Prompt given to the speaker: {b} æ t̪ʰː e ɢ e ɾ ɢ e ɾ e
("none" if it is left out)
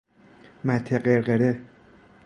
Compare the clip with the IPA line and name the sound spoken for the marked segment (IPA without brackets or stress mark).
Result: m